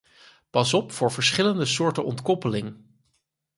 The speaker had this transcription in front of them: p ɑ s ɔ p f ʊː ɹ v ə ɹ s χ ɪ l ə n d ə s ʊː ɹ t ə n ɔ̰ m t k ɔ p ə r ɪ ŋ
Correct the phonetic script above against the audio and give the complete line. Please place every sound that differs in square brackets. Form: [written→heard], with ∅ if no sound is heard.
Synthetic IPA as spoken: p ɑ s ɔ p f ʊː ɹ v ə ɹ s χ ɪ l ə n d ə s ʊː ɹ t ə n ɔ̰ [m→n] t k ɔ p ə [r→l] ɪ ŋ